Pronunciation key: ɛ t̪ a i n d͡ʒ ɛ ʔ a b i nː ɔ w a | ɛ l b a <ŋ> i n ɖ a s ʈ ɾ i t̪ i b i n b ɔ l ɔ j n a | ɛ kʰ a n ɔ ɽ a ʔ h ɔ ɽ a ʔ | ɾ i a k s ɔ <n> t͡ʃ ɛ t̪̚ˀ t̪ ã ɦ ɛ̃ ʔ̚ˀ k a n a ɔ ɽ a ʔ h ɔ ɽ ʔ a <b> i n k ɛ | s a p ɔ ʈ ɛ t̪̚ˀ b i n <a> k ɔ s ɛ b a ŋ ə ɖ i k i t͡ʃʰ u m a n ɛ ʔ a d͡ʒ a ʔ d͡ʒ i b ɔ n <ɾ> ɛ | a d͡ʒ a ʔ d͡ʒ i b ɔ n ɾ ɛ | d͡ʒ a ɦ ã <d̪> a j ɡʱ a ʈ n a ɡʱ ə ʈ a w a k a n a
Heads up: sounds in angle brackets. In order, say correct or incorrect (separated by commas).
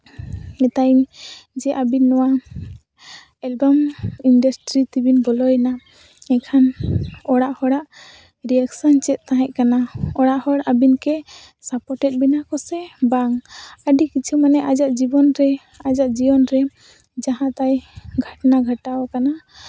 incorrect, correct, correct, correct, correct, incorrect